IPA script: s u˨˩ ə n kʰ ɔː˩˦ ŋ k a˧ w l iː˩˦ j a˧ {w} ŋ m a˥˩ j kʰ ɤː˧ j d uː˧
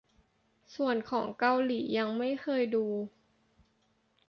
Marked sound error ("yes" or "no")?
yes